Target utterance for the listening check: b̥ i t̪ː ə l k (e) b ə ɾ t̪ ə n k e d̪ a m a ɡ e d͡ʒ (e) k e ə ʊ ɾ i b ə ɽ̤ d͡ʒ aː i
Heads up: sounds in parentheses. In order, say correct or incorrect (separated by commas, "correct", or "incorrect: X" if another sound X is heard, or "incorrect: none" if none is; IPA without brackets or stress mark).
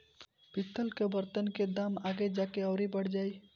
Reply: correct, incorrect: a